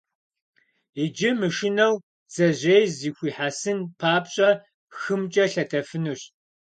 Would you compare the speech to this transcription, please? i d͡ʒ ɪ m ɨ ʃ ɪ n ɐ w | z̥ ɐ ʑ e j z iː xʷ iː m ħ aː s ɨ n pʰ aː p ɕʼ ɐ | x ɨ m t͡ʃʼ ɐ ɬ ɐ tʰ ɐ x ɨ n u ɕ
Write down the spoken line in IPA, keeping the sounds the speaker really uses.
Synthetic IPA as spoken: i d͡ʒ ɪ m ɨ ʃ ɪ n ɐ w | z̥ ɐ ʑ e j z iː xʷ iː ħ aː s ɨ n pʰ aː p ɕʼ ɐ | x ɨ m t͡ʃʼ ɐ ɬ ɐ tʰ ɐ f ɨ n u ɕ